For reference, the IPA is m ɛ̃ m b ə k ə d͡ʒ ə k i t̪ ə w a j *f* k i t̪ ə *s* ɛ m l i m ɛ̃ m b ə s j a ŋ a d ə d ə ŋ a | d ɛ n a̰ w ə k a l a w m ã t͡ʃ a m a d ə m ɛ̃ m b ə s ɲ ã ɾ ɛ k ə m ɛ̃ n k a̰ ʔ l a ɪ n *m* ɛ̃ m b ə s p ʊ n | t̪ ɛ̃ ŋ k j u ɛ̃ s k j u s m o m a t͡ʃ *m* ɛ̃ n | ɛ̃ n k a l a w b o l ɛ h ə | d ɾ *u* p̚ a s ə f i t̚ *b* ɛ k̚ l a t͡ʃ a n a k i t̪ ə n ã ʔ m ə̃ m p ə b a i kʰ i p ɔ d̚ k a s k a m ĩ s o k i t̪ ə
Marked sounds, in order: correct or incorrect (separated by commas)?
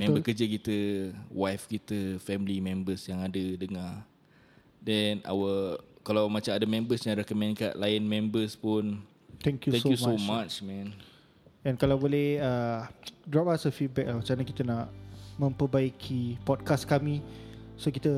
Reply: correct, incorrect, correct, correct, incorrect, correct